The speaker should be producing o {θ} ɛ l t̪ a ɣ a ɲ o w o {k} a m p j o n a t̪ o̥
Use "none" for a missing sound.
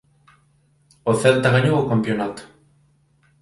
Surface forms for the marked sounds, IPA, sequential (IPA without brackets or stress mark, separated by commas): θ, k